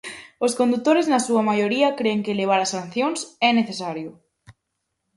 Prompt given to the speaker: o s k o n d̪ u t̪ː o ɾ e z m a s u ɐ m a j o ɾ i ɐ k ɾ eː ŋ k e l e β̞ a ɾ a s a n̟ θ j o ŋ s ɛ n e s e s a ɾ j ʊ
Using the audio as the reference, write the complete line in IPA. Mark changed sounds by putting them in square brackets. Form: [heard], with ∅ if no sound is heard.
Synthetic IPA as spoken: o s k o n d̪ u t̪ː o ɾ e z [n] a s u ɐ m a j o ɾ i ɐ k ɾ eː ŋ k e l e β̞ a ɾ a s a n̟ θ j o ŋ s ɛ n e [θ] e s a ɾ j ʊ